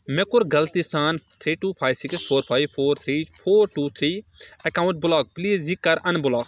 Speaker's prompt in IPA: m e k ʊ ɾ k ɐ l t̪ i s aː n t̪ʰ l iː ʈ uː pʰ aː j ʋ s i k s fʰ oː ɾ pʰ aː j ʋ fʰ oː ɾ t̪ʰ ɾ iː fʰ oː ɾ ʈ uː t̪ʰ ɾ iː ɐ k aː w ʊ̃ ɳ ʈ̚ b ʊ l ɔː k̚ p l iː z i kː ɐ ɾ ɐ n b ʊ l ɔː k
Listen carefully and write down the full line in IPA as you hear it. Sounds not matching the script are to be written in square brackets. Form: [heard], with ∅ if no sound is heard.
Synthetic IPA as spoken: m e k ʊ ɾ [ɡ] ɐ l t̪ i s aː n t̪ʰ [ɾ] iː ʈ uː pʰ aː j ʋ s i k s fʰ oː ɾ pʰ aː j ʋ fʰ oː ɾ t̪ʰ ɾ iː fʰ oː ɾ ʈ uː t̪ʰ ɾ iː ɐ k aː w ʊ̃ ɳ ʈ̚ b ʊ l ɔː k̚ p l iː z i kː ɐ ɾ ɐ n b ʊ l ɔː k